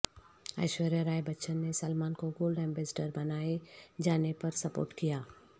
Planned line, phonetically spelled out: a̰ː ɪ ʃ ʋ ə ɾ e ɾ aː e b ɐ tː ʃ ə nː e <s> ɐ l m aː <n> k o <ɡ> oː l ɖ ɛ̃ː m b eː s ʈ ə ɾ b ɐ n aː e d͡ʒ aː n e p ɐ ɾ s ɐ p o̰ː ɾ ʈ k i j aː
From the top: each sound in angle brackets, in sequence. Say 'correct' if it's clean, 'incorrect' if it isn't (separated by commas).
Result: correct, correct, correct